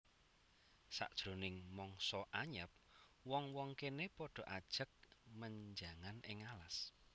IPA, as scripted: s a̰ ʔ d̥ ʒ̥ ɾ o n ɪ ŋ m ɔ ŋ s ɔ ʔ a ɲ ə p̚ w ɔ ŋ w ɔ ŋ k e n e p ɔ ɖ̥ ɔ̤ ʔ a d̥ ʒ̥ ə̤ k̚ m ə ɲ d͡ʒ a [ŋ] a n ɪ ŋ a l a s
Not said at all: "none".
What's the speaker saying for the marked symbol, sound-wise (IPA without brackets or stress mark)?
ŋ